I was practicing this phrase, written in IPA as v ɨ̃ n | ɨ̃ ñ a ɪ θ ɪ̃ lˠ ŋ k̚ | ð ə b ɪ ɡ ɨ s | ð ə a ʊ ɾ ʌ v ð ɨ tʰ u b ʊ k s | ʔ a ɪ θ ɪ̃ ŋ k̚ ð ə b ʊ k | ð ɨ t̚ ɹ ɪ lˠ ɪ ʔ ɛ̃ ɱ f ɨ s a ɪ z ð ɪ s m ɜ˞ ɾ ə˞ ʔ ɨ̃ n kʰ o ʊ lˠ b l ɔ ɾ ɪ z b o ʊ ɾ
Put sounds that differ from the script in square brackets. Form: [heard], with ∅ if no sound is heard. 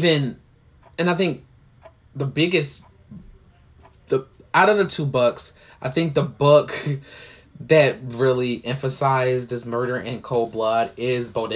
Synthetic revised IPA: v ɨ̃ n | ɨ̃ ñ a ɪ θ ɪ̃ [∅] ŋ k̚ | ð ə b ɪ ɡ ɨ s | ð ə a ʊ ɾ ʌ v ð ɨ tʰ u b ʊ k s | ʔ a ɪ θ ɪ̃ ŋ k̚ ð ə b ʊ k | ð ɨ t̚ ɹ ɪ lˠ [i] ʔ ɛ̃ ɱ f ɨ s a ɪ z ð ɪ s m ɜ˞ ɾ ə˞ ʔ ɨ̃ n kʰ o ʊ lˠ b l [ʌ] ɾ ɪ z b o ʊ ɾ